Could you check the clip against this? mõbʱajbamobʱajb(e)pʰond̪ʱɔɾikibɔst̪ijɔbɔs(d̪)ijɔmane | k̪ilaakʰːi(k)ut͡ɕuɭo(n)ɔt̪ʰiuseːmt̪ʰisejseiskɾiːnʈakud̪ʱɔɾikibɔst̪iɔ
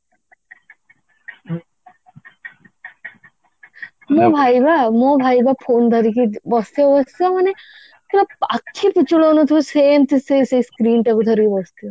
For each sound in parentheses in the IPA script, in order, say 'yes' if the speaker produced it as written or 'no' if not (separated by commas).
no, no, no, yes